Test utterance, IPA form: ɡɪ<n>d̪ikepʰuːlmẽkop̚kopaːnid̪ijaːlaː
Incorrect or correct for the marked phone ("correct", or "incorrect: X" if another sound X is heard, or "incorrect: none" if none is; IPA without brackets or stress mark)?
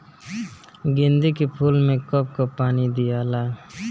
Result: correct